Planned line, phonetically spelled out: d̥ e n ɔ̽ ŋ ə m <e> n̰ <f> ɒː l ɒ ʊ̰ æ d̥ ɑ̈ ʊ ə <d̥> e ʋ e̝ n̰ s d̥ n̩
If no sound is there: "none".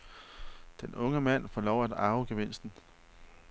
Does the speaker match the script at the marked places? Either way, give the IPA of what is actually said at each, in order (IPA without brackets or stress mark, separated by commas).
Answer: æ, f, ɡ̥